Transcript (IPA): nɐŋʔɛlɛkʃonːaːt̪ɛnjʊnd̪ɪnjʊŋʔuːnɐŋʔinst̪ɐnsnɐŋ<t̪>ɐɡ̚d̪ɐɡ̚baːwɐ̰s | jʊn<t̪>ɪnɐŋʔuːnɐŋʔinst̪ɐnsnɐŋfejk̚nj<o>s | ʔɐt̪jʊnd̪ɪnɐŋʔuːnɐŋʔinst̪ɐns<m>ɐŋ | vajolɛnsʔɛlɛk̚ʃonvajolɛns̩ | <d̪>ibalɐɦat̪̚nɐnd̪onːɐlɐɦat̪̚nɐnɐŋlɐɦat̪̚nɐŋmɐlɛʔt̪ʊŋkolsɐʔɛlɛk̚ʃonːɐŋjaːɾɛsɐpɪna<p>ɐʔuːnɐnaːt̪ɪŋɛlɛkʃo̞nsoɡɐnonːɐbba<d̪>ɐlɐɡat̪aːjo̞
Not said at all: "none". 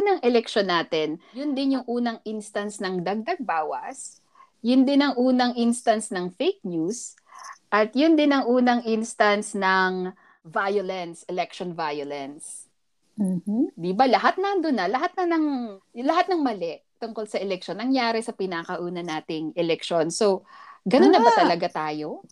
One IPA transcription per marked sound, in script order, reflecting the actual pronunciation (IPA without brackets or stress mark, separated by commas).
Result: d̪, d̪, u, n, d̪, k, t̪